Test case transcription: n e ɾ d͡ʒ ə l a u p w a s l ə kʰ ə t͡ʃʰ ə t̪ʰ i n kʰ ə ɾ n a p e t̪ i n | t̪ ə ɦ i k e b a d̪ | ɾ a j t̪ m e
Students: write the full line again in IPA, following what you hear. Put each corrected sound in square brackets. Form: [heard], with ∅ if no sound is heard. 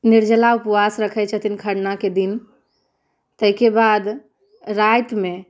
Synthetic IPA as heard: n [i] ɾ d͡ʒ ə l a u p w a s [ɾ] ə kʰ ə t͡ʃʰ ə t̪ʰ i n kʰ ə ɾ n a [k] e [d̪] i n | t̪ ə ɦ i k e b a d̪ | ɾ a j t̪ m e